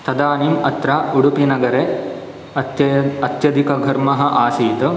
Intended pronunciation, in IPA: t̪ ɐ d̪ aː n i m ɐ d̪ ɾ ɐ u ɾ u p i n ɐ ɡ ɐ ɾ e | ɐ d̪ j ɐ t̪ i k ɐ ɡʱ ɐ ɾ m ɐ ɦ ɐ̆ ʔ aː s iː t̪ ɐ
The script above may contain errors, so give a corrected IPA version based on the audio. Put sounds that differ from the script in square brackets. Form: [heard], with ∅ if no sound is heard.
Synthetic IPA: t̪ ɐ d̪ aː n i m ɐ [t̪] ɾ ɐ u [ɽ] u p i n ɐ ɡ ɐ ɾ e | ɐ [t̪] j ɐ [d̪] i k ɐ ɡʱ ɐ ɾ m ɐ ɦ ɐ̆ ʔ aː s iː t̪ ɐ